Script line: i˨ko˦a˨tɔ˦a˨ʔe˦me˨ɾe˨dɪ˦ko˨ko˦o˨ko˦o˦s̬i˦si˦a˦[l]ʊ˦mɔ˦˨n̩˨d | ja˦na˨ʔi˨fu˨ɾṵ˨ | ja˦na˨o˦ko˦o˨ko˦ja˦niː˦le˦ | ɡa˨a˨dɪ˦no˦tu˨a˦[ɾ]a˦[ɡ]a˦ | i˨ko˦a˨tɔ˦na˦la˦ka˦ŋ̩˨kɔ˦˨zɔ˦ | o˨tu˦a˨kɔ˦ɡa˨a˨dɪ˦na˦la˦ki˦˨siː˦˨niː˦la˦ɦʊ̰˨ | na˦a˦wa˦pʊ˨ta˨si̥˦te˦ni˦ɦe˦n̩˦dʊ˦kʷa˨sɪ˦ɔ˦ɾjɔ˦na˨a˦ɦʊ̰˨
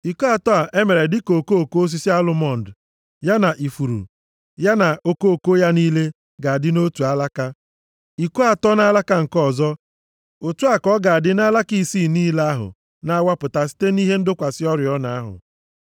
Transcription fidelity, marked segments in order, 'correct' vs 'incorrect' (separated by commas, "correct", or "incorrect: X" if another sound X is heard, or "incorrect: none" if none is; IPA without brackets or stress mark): correct, incorrect: l, incorrect: k